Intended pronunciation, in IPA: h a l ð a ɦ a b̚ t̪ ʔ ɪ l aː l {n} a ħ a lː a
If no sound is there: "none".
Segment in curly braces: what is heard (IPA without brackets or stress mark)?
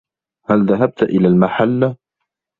m